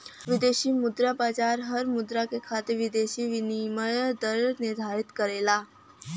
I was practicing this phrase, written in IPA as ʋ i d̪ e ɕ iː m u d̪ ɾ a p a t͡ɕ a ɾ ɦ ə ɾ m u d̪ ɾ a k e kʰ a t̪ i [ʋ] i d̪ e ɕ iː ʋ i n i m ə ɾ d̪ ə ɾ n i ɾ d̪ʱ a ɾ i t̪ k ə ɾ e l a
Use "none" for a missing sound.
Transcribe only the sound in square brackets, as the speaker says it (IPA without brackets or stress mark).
ʋ